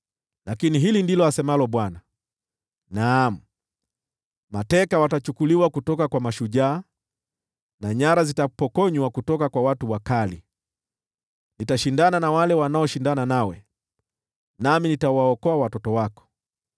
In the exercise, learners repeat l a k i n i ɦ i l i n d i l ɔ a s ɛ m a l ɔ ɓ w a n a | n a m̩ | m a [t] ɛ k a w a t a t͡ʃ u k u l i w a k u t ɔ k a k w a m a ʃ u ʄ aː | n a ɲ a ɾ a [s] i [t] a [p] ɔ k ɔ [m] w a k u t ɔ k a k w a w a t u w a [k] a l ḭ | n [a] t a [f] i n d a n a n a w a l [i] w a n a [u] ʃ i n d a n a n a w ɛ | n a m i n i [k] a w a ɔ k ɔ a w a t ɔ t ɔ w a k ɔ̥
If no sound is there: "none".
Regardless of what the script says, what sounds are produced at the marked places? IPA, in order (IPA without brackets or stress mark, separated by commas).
t, z, t, p, ɲ, k, i, ʃ, ɛ, ɔ, t